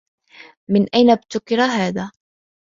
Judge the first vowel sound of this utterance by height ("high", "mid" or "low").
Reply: high